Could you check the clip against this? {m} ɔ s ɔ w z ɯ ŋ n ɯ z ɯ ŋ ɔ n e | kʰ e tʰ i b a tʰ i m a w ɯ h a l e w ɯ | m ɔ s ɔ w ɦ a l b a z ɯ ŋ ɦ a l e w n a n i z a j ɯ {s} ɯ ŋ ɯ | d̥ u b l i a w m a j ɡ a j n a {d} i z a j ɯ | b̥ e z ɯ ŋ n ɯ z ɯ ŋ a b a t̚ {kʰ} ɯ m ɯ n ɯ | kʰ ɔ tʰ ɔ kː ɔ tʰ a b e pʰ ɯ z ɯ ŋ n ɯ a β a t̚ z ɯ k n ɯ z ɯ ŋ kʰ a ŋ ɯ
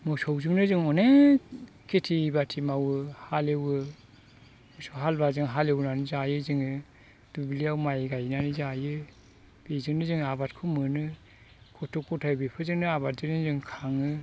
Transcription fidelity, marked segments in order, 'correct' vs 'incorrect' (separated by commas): correct, incorrect, incorrect, correct